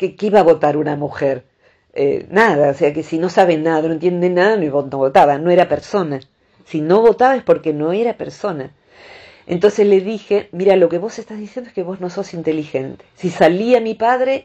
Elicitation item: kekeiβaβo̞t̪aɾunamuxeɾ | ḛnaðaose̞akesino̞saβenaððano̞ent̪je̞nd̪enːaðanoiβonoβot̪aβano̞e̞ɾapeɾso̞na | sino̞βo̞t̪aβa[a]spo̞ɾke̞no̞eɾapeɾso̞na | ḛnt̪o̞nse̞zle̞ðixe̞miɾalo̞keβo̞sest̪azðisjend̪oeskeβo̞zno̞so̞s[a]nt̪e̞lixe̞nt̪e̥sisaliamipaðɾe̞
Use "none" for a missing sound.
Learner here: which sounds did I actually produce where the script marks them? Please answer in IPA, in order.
e, i

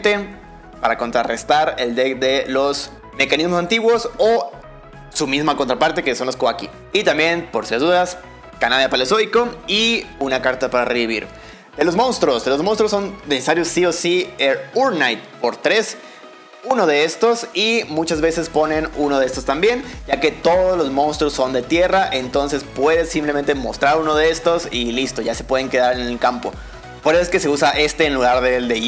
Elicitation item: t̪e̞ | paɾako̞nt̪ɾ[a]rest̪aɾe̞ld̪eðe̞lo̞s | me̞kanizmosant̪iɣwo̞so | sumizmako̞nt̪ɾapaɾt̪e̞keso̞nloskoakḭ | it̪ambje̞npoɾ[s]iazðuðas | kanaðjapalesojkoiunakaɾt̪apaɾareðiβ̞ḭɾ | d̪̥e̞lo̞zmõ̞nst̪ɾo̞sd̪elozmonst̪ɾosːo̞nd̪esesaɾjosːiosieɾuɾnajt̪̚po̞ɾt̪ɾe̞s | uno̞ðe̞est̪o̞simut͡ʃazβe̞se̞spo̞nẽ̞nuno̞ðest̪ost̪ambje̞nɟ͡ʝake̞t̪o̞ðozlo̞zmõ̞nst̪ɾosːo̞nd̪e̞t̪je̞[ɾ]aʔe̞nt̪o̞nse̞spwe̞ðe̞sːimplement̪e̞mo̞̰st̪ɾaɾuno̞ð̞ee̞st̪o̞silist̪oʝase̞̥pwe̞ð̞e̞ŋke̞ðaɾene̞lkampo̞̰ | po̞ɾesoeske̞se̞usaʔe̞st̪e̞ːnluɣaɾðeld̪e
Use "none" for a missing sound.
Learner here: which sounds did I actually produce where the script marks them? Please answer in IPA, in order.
a, s, r

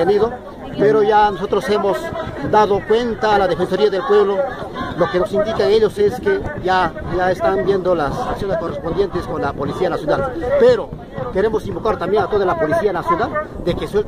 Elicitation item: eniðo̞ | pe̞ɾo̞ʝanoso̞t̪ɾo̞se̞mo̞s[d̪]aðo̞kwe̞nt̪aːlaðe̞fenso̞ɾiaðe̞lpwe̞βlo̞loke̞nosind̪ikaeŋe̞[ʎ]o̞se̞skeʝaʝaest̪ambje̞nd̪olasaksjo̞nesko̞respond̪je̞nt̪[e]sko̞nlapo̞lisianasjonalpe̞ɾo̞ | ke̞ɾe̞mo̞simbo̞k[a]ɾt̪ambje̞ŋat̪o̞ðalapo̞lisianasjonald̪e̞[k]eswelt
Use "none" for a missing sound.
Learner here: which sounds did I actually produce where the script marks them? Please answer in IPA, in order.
d̪, ʎ, e, a, k

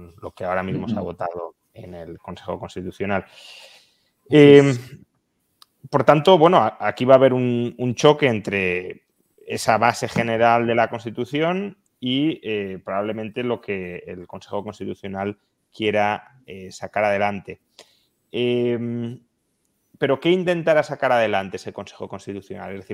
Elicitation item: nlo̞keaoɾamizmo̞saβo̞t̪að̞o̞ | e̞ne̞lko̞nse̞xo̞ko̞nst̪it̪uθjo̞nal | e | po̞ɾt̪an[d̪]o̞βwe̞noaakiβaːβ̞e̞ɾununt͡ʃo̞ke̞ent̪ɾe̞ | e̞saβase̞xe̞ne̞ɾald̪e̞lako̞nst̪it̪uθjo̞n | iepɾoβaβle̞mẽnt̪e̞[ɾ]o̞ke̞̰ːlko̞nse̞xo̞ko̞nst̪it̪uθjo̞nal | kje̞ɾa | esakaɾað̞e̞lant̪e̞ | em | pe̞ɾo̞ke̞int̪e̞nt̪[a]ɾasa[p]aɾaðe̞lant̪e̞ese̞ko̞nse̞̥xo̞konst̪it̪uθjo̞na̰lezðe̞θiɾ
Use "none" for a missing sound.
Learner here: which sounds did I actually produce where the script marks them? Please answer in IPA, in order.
t̪, l, a, k

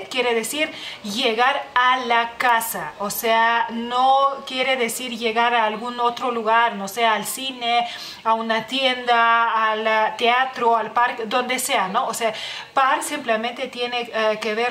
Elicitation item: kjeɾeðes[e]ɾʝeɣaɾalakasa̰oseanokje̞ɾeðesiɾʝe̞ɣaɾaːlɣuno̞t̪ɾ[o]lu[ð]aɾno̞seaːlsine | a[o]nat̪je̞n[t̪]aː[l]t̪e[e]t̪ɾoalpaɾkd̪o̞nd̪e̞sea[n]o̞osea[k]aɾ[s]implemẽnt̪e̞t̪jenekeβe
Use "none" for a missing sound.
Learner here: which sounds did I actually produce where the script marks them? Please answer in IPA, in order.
i, o, ɣ, u, d̪, l, a, n, p, s

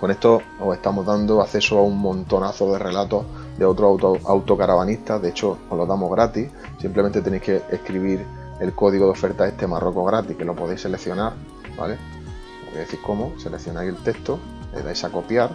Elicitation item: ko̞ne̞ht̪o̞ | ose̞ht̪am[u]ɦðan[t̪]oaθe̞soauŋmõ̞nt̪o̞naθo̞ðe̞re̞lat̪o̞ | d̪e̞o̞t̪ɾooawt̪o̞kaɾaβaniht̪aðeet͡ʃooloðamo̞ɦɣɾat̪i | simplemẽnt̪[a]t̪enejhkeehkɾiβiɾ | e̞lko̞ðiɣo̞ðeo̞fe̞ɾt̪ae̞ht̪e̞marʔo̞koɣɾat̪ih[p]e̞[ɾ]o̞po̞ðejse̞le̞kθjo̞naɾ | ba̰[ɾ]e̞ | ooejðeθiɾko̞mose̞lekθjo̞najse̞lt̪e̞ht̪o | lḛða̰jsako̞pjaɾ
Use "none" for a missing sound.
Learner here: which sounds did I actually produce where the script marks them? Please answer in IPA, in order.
o, d̪, e, k, l, l

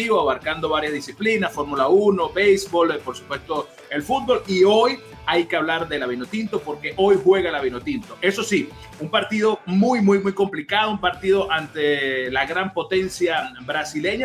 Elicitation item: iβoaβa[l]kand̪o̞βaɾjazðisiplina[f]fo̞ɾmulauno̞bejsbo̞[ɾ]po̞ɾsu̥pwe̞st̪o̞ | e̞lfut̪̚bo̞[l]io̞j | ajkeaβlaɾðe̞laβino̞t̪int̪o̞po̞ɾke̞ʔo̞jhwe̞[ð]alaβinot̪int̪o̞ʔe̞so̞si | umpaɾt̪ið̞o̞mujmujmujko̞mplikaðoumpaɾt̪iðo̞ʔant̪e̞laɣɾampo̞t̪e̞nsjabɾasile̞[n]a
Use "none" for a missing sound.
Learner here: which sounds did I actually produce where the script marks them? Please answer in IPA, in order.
ɾ, s, l, l, ɣ, ɲ

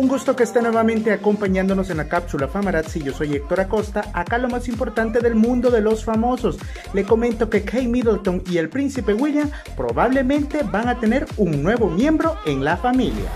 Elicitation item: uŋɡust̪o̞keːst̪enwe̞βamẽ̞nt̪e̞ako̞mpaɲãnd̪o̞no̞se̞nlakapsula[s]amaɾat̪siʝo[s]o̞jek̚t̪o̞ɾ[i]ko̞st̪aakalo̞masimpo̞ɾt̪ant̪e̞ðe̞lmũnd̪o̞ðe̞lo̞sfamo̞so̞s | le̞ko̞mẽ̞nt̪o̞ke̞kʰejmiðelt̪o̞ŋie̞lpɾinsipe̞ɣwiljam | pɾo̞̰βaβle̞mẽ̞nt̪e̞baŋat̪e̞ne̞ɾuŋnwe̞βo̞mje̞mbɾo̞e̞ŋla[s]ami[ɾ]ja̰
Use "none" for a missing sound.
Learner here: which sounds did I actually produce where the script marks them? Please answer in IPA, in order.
f, s, a, f, l

